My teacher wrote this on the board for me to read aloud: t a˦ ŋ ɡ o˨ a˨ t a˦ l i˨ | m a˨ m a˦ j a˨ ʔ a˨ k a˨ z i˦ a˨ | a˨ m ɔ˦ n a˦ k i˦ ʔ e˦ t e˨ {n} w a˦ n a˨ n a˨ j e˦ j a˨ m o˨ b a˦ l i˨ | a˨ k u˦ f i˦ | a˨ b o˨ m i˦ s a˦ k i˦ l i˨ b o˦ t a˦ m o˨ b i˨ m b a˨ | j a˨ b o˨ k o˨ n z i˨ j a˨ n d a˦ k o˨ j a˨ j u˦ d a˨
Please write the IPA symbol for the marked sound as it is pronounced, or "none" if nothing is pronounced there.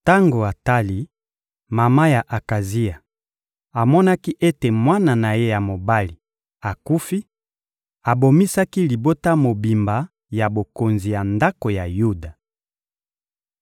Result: m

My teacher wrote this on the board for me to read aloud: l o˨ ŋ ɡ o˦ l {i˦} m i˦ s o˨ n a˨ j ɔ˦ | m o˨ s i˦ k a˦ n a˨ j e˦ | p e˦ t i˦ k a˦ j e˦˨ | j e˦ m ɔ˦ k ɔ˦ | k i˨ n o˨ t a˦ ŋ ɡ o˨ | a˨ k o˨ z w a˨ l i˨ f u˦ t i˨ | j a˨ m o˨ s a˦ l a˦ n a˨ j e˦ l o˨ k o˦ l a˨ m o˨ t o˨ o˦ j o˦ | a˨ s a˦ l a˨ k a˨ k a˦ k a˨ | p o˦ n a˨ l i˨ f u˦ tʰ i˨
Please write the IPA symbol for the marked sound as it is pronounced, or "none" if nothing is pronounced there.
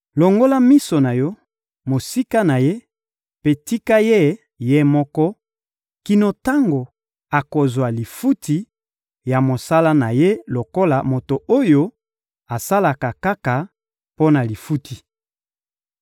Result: a˦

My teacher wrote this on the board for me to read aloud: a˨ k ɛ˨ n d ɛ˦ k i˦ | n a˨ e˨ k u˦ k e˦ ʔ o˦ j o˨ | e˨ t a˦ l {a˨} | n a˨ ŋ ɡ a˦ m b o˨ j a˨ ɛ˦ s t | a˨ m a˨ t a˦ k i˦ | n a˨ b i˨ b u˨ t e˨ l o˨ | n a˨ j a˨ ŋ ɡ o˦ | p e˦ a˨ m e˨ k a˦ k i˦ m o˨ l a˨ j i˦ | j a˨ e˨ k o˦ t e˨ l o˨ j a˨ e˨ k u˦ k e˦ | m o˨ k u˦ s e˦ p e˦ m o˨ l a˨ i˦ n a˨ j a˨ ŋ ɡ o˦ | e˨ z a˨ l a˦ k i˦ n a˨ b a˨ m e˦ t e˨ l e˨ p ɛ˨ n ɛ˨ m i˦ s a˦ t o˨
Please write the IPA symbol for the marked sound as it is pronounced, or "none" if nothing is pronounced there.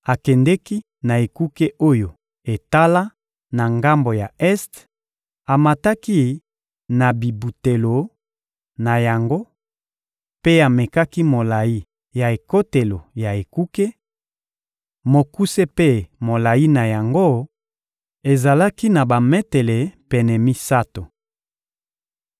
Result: a˦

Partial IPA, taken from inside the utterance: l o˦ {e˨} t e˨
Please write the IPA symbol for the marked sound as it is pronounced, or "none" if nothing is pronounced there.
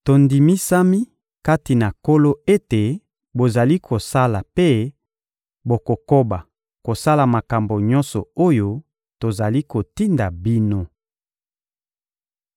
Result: e˦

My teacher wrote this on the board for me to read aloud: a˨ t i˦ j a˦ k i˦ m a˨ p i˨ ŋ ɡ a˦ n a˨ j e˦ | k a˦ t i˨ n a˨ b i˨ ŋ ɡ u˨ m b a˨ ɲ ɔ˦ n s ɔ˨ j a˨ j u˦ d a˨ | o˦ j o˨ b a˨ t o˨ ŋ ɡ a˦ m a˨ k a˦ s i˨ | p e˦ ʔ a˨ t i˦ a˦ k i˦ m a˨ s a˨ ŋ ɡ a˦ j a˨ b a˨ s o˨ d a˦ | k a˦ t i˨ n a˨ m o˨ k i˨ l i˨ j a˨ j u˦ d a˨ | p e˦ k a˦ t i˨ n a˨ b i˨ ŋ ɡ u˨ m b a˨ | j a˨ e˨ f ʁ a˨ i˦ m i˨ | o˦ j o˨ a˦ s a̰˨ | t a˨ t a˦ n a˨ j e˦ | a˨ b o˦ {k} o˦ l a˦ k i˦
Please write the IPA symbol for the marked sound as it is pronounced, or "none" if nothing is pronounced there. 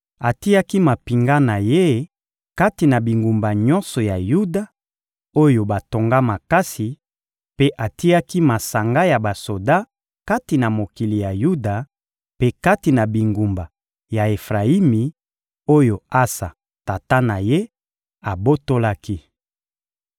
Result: t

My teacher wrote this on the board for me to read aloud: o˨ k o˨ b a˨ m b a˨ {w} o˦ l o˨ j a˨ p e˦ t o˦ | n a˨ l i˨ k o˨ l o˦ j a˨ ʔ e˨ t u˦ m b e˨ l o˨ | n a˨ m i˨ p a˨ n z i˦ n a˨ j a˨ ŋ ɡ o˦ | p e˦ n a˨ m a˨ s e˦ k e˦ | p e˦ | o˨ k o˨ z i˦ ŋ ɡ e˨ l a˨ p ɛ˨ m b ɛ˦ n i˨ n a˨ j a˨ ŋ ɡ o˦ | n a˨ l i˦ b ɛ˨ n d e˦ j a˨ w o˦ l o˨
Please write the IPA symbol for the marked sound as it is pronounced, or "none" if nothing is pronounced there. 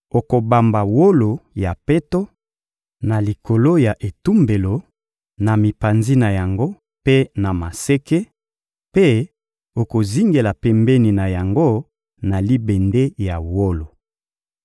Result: w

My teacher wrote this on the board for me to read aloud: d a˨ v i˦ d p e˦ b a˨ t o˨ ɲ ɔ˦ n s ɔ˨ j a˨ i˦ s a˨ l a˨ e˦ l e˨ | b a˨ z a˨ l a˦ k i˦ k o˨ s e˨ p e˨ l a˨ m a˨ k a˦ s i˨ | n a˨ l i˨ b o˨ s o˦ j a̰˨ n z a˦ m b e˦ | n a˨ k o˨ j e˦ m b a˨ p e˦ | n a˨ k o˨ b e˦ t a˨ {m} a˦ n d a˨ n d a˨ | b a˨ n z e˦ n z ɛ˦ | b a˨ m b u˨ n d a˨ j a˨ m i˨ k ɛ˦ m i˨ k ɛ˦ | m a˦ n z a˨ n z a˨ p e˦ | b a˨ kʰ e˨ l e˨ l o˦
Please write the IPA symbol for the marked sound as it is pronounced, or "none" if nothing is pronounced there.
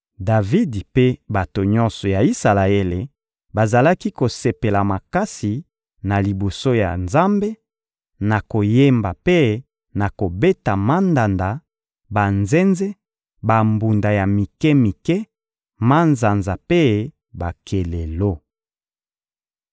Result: m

